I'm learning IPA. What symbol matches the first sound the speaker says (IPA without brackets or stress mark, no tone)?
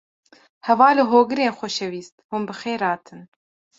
h